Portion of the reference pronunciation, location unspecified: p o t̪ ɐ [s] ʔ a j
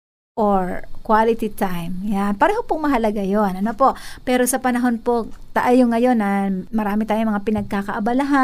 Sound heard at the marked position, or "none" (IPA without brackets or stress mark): none